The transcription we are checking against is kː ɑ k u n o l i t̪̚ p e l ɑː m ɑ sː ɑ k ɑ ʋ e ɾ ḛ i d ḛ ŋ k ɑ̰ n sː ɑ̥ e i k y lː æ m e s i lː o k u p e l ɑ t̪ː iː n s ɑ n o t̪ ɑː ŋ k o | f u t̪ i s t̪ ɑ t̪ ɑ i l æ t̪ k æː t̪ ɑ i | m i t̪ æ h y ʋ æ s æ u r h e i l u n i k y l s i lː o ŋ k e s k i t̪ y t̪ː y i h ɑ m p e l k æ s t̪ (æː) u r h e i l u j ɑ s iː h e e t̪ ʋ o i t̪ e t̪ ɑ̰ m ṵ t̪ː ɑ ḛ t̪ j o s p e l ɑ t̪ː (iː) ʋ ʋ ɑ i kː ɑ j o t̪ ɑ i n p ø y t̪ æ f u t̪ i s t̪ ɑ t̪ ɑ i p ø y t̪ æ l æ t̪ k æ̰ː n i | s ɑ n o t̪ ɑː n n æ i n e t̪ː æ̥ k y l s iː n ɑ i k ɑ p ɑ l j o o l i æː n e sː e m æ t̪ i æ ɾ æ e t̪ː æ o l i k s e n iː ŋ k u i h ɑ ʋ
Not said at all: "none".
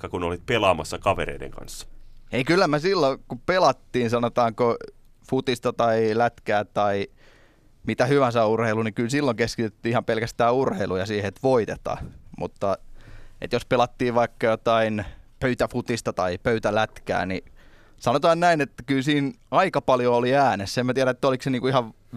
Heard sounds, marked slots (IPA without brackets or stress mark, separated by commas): æː, iː